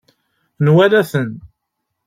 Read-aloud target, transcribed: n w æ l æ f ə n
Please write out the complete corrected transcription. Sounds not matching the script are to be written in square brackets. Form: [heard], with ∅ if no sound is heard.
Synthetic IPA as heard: n w æ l æ [θ] ə n